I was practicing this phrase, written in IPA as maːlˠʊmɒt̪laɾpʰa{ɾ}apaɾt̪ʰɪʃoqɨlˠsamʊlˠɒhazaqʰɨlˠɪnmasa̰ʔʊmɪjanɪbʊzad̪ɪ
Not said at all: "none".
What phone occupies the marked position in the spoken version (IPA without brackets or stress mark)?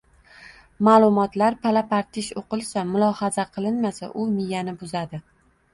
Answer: l